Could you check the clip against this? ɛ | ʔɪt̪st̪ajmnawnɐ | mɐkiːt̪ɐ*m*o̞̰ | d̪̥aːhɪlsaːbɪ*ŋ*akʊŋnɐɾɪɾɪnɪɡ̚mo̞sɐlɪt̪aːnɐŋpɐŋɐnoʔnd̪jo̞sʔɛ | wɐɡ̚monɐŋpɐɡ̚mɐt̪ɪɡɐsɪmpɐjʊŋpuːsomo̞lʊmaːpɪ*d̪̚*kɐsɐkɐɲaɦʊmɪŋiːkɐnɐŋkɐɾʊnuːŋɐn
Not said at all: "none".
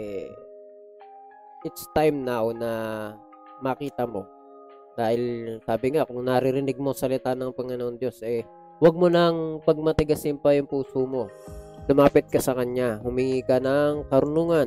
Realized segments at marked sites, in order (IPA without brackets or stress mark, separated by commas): m, ŋ, t̪̚